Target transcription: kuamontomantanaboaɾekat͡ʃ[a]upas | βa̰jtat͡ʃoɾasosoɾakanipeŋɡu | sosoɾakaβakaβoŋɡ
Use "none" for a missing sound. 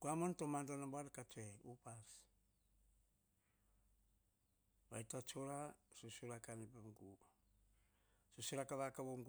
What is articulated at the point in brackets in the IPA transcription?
e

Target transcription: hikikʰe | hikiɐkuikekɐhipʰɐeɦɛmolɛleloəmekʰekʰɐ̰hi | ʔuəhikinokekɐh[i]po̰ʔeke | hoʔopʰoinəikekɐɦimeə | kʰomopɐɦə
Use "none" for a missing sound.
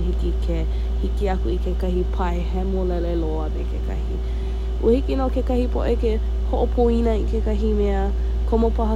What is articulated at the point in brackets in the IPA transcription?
i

